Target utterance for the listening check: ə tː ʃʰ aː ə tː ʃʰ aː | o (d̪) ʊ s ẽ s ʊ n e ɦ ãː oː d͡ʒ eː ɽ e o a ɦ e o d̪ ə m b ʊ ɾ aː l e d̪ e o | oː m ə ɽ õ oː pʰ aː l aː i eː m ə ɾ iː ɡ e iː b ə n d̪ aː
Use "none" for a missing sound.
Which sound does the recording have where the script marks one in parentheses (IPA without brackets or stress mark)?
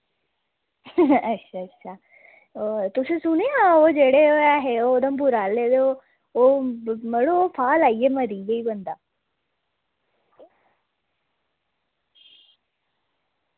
t̪